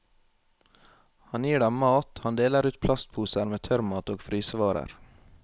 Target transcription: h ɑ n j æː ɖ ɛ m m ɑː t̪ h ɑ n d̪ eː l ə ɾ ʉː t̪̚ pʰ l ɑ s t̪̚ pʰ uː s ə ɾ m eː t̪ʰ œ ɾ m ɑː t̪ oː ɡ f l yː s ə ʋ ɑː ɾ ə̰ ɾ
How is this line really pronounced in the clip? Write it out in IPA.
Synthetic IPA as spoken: h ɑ n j iː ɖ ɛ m m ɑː t̪ h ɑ n d̪ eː l ə ɾ ʉː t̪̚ pʰ l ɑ s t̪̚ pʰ uː s ə ɾ m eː t̪ʰ œ ɾ m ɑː t̪ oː ɡ f ɾ yː s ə ʋ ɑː ɾ ə̰ ɾ